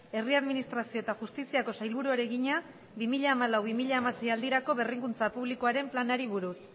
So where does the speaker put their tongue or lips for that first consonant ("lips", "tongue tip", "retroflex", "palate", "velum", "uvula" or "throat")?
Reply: tongue tip